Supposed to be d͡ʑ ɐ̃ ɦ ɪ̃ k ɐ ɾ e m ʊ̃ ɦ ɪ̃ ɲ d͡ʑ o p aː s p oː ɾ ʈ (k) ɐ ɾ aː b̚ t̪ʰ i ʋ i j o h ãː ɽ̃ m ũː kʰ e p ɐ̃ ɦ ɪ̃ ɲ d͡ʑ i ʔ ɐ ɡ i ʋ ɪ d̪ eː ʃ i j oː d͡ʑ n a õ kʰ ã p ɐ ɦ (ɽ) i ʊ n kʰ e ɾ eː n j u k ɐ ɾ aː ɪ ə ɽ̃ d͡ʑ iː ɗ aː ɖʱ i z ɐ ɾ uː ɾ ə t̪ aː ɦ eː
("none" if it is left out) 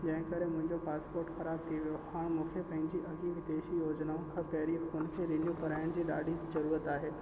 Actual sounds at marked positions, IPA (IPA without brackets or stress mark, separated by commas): x, ɾ